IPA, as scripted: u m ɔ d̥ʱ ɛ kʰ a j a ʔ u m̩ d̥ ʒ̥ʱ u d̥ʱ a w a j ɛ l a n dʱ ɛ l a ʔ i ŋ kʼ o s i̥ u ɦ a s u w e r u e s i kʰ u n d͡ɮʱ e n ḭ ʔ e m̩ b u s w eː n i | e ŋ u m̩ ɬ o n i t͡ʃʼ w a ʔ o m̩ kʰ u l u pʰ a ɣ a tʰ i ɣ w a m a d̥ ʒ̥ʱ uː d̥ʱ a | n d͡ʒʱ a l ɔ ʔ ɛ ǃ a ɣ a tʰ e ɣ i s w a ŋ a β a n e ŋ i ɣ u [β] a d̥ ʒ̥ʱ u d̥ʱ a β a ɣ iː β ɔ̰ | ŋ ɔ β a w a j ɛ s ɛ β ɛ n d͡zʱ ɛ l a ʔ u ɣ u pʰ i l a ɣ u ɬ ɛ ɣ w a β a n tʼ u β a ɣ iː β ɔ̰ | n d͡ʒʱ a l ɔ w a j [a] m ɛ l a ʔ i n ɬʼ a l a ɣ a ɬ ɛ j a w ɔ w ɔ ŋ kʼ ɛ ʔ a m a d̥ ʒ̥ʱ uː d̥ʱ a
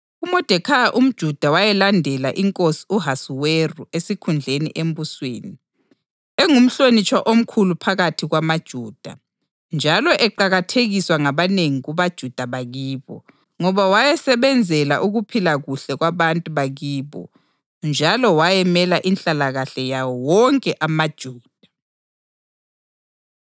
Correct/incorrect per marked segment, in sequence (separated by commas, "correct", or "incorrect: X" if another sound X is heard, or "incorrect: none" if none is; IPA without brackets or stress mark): correct, incorrect: ɛ